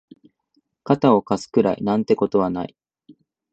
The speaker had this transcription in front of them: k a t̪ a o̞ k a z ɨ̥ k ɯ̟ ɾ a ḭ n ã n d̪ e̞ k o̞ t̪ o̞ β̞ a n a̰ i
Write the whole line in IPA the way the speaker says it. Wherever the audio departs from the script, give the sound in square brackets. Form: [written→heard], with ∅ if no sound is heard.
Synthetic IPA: k a t̪ a o̞ k a [z→s] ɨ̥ k ɯ̟ ɾ a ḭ n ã n [d̪→t̪] e̞ k o̞ t̪ o̞ β̞ a n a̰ i